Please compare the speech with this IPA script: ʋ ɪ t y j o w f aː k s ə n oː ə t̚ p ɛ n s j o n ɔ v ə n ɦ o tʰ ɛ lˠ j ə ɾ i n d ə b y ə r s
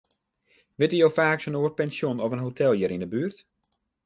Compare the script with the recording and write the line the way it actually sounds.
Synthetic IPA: ʋ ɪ t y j o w f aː k s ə n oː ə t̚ p ɛ n s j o n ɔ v ə n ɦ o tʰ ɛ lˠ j ə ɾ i n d ə b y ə r t